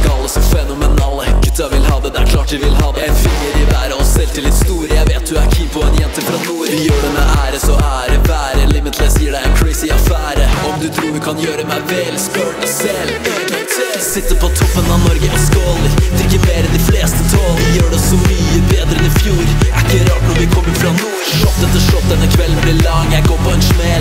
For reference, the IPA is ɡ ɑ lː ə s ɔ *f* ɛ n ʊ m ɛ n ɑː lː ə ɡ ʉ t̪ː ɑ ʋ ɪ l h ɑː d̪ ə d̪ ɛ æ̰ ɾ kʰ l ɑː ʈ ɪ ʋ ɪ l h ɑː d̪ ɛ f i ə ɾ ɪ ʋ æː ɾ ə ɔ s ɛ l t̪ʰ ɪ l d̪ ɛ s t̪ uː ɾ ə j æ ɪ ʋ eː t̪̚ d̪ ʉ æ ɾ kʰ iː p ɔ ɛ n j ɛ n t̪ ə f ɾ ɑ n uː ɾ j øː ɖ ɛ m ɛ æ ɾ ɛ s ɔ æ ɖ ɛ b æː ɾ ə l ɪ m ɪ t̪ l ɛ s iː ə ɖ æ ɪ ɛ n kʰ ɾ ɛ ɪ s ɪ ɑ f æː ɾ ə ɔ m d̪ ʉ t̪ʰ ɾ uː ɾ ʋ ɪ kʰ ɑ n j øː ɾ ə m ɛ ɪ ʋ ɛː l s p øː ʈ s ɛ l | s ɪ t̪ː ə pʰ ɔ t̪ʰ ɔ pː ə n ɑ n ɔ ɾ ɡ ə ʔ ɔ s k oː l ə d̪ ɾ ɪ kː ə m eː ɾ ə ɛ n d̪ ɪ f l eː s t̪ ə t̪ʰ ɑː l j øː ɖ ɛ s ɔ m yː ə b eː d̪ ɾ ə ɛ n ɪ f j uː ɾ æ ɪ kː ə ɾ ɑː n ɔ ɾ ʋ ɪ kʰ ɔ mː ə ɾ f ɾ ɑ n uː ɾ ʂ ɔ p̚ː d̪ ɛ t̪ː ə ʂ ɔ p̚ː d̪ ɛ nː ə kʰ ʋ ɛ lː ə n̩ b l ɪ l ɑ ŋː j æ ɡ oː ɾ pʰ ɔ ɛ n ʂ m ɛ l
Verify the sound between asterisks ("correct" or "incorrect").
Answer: correct